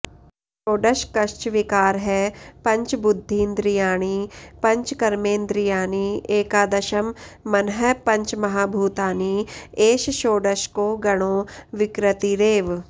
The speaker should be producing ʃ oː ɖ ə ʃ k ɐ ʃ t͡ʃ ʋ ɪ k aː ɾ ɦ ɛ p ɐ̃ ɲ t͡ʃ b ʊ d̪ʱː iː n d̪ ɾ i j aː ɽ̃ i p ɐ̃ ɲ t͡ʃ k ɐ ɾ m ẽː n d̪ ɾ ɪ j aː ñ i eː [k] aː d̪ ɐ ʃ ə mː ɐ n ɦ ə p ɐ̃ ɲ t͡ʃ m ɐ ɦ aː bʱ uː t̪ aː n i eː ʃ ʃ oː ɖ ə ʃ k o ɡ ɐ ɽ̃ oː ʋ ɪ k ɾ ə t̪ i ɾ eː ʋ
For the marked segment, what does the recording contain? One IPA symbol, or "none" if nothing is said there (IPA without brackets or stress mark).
k